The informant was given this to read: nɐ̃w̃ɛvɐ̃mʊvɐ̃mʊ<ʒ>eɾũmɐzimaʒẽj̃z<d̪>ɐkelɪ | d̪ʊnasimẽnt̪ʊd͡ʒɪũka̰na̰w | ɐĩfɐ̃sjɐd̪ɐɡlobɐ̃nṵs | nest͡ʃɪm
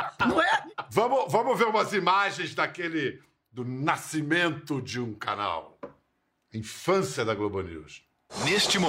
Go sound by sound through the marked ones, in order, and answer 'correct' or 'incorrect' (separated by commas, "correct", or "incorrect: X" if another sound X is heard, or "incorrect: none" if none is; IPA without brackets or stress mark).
incorrect: v, correct